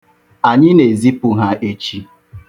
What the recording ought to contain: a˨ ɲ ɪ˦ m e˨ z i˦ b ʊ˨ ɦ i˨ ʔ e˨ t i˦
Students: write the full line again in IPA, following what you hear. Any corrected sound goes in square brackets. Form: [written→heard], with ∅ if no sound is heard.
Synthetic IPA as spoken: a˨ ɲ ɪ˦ [m→n] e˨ z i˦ [b→p] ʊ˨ ɦ [i˨→a˨] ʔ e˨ [t→t͡ʃ] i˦